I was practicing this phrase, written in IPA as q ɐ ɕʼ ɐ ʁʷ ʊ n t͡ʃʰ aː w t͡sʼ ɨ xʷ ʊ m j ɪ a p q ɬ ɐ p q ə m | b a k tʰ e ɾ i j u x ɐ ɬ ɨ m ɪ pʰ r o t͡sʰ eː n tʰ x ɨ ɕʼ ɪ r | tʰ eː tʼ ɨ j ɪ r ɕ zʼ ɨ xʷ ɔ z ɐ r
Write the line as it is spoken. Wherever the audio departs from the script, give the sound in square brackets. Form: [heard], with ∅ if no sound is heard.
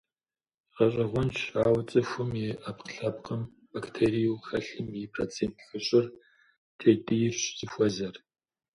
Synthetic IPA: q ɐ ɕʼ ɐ ʁʷ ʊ n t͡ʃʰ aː w t͡sʼ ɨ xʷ ʊ m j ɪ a p q ɬ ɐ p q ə m | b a k tʰ e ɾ i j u x ɐ ɬ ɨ m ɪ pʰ r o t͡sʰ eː n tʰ x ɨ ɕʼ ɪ r | tʰ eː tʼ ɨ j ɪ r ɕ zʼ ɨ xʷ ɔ z ɐ r